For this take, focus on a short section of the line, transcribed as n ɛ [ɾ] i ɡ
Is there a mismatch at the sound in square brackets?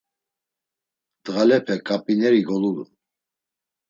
no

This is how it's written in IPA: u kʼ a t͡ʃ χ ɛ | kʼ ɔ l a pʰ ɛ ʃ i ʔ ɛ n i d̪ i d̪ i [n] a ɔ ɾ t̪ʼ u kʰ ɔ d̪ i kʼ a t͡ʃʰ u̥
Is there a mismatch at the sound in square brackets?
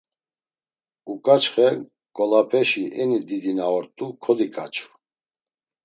no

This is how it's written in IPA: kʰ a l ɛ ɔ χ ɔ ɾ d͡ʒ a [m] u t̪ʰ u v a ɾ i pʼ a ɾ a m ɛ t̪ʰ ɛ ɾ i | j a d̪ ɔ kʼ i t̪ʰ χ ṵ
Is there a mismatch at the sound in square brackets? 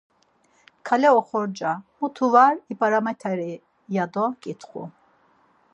no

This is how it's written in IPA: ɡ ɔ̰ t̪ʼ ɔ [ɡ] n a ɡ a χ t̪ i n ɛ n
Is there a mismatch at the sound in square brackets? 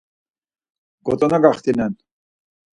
yes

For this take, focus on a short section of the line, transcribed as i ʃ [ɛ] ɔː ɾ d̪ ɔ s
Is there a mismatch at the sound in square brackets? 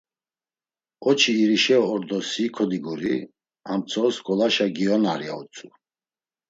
no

